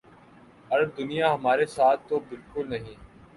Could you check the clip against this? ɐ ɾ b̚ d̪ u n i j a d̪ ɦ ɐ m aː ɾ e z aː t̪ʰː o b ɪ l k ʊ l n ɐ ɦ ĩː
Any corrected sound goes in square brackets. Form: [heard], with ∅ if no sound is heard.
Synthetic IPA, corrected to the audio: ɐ ɾ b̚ d̪ [ʊ] n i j a [∅] ɦ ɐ m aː ɾ e [s] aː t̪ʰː o b ɪ l k ʊ l n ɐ ɦ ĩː